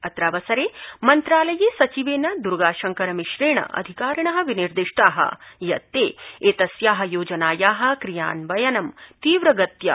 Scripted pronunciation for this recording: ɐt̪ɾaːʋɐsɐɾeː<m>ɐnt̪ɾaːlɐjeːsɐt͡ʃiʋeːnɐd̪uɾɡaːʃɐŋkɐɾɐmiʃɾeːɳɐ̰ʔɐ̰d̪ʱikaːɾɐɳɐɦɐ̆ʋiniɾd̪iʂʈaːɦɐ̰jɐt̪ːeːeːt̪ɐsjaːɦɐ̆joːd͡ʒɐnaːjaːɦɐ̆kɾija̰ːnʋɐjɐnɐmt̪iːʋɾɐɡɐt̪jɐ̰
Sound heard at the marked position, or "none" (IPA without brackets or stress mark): m